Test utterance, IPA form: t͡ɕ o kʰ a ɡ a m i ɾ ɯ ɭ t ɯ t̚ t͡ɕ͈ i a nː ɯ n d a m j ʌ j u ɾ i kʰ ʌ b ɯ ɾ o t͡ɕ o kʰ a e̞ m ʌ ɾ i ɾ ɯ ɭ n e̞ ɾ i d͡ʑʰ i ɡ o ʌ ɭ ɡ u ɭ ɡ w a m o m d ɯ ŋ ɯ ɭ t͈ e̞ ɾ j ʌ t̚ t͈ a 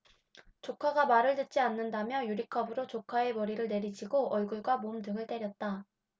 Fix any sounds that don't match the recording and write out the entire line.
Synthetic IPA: t͡ɕ o kʰ a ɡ a m a ɾ ɯ ɭ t ɯ t̚ t͡ɕ͈ i a nː ɯ n d a m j ʌ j u ɾ i kʰ ʌ b ɯ ɾ o t͡ɕ o kʰ a e̞ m ʌ ɾ i ɾ ɯ ɭ n e̞ ɾ i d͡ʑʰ i ɡ o ʌ ɭ ɡ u ɭ ɡ w a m o m d ɯ ŋ ɯ ɭ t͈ e̞ ɾ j ʌ t̚ t͈ a

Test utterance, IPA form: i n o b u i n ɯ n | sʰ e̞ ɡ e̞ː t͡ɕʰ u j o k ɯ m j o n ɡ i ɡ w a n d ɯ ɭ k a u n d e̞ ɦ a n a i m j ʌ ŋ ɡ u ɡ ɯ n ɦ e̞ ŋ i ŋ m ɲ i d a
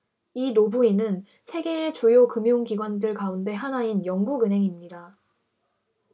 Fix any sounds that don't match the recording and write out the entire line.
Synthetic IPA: i n o b u i n ɯ n | sʰ e̞ ɡ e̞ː t͡ɕ u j o k ɯ m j o ŋ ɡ i ɡ w a n d ɯ ɭ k a u n d e̞ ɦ a n a i n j ʌ ŋ ɡ u ɡ ɯ n ɦ e̞ ŋ i m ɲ i d a

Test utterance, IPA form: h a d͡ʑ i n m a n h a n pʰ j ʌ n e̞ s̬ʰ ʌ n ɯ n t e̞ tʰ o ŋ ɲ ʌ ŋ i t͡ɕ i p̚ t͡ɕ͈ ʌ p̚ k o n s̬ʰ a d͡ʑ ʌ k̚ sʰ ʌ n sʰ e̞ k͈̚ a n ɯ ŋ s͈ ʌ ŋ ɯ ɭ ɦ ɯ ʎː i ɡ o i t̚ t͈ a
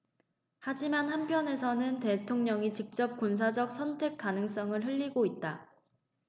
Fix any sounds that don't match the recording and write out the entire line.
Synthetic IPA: h a d͡ʑ i m a n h a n pʰ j ʌ n e̞ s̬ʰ ʌ n ɯ n t e̞ tʰ o ŋ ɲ ʌ ŋ i t͡ɕ i k̚ t͡ɕ͈ ʌ p̚ k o n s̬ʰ a d͡ʑ ʌ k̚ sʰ ʌ n tʰ e̞ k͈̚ a n ɯ ŋ s͈ ʌ ŋ ɯ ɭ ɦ ɯ ʎː i ɡ o i t̚ t͈ a

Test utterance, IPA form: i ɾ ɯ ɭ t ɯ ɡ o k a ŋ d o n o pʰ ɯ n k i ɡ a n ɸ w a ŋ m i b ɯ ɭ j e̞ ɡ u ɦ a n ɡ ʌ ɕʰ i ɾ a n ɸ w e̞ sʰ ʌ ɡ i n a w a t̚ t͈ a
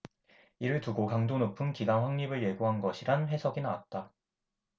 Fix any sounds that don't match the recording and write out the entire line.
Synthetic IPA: i ɾ ɯ ɭ t u ɡ o k a ŋ d o n o pʰ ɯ n k i ɡ a n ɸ w a ŋ ɲ i b ɯ ɭ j e̞ ɡ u ɦ a n ɡ ʌ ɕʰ i ɾ a n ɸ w e̞ sʰ ʌ ɡ i n a w a t̚ t͈ a

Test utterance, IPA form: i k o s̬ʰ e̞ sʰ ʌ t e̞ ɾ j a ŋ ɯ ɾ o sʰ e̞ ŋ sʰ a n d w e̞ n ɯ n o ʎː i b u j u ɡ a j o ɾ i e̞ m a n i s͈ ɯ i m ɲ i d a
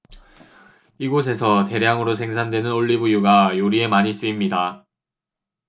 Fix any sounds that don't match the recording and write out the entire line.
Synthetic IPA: i ɡ o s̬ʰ e̞ sʰ ʌ t e̞ ɾ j a ŋ ɯ ɾ o sʰ e̞ ŋ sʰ a n d w e̞ n ɯ n o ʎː i b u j u ɡ a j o ɾ i e̞ m a ɲ i s͈ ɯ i m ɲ i d a

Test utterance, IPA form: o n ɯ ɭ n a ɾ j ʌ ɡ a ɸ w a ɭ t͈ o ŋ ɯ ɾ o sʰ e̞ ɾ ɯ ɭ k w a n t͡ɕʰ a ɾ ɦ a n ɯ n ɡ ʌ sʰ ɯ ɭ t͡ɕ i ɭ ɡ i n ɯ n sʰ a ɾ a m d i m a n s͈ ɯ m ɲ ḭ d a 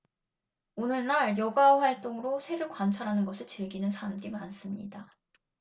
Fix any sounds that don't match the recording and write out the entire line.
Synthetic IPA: o n ɯ ɭ n a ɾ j ʌ ɡ a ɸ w a ɭ t͈ o ŋ ɯ ɾ o sʰ e̞ ɾ ɯ ɭ k w a n t͡ɕʰ a ɾ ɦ a n ɯ n ɡ ʌ sʰ ɯ ɭ t͡ɕ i ɭ ɡ i n ɯ n sʰ a ɾ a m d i m a n s͈ ɯ m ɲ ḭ d a

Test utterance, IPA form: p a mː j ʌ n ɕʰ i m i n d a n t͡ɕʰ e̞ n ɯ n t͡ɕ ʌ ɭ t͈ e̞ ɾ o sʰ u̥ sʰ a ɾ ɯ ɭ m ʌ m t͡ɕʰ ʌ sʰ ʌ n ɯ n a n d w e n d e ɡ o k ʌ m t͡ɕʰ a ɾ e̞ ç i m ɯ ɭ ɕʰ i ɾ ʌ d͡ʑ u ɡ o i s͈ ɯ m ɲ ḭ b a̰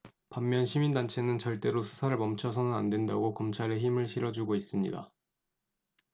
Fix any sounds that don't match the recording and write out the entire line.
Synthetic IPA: p a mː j ʌ n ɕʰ i m i n d a n t͡ɕʰ e̞ n ɯ n t͡ɕ ʌ ɭ t͈ e̞ ɾ o sʰ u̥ sʰ a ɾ ɯ ɭ m ʌ m t͡ɕʰ ʌ sʰ ʌ n ɯ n a n d w e n d a ɡ o k ʌ m t͡ɕʰ a ɾ e̞ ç i m ɯ ɭ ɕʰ i ɾ ʌ d͡ʑ u ɡ o i s͈ ɯ m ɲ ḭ d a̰

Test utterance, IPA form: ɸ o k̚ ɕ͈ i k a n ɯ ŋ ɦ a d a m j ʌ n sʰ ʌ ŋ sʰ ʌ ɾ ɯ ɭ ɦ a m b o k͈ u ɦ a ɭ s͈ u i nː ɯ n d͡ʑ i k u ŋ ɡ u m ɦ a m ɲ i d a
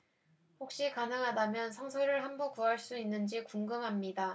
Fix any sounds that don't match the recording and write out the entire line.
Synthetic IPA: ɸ o k̚ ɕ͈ i k a n ɯ ŋ ɦ a d a m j ʌ n sʰ ʌ ŋ sʰ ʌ ɾ ɯ ɭ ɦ a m b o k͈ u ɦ a ɭ s͈ u i nː ɯ n d͡ʑ i k u ŋ ɡ ɯ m ɦ a m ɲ i d a

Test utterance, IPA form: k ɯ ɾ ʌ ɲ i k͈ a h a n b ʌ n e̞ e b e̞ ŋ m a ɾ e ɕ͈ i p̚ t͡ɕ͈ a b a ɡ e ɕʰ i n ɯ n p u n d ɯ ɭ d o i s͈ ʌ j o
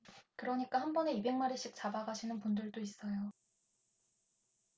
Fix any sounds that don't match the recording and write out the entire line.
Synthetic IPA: k ɯ ɾ ʌ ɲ i k͈ a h a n b ʌ n e̞ i b e̞ ŋ m a ɾ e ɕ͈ i k̚ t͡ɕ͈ a b a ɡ a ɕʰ i n ɯ n p u n d ɯ ɭ d o i s͈ ʌ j o

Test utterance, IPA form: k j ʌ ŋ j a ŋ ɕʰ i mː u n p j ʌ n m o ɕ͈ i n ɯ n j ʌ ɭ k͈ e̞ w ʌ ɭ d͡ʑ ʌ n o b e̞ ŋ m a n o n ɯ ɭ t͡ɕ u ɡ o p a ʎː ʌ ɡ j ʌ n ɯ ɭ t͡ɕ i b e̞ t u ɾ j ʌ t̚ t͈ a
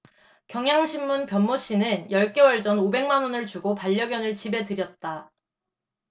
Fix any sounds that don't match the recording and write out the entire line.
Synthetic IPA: k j ʌ ŋ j a ŋ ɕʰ i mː u n p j ʌ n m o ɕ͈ i n ɯ n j ʌ ɭ k͈ e̞ w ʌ ɭ d͡ʑ ʌ n o b e̞ ŋ m a n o n ɯ ɭ t͡ɕ u ɡ o p a ʎː ʌ ɡ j ʌ n ɯ ɭ t͡ɕ i b e̞ t ɯ ɾ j ʌ t̚ t͈ a

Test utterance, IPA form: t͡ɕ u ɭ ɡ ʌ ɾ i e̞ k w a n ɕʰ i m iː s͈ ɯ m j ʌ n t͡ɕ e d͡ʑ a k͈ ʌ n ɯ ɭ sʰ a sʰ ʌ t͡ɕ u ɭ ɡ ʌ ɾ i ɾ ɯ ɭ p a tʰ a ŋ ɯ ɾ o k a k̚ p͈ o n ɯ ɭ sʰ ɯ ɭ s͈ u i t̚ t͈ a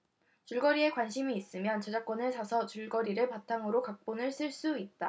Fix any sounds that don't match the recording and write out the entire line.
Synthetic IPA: t͡ɕ u ɭ ɡ ʌ ɾ i e̞ k w a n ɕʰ i m iː s͈ ɯ m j ʌ n t͡ɕ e d͡ʑ a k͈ ʌ n ɯ ɭ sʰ a sʰ ʌ t͡ɕ u ɭ ɡ ʌ ɾ i ɾ ɯ ɭ p a tʰ a ŋ ɯ ɾ o k a k̚ p͈ o n ɯ ɭ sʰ ɯ ɭ s͈ u i t̚ t͈ a

